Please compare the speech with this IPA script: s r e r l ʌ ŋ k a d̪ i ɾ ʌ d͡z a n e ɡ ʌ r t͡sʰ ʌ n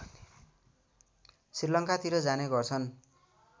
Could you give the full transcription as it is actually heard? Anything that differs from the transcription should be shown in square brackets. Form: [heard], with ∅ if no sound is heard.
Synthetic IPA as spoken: s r [i] r l ʌ ŋ k a [t̪] i ɾ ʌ d͡z a n e ɡ ʌ r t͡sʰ ʌ n